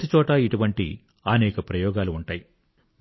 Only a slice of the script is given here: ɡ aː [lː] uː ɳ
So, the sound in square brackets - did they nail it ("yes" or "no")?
no